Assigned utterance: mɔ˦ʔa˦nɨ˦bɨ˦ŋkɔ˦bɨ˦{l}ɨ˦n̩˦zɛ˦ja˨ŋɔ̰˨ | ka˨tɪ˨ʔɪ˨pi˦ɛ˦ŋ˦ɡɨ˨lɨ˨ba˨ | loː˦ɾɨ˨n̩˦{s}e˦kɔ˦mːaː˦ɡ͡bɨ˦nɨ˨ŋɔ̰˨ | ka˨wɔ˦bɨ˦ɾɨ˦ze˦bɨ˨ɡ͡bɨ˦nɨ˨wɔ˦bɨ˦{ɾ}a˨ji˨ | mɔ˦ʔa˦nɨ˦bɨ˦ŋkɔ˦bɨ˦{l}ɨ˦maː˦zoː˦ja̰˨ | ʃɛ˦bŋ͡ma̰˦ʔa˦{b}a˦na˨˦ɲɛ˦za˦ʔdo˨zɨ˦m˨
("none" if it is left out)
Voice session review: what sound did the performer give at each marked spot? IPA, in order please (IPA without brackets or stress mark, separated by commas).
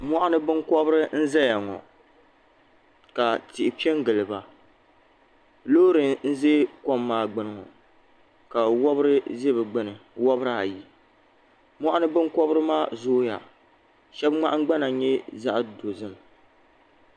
ɾ, z, ɾ, ɾ, ɡ͡b